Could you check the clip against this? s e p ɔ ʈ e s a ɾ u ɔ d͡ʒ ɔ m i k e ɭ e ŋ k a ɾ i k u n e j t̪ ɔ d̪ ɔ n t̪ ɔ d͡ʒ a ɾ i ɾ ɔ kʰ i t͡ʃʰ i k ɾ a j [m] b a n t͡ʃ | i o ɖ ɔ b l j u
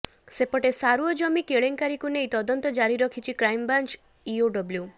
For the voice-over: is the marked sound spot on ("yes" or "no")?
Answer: yes